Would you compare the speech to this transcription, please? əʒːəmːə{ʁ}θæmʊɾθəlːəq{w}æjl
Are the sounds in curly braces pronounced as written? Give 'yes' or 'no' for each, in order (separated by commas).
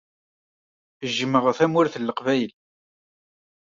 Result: yes, no